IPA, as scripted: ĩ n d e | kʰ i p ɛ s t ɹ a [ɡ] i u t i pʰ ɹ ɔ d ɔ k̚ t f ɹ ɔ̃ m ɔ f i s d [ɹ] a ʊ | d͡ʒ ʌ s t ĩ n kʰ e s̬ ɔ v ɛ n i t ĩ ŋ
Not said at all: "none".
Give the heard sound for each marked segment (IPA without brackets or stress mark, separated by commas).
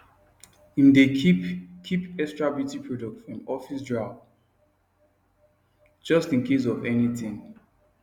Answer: b, ɹ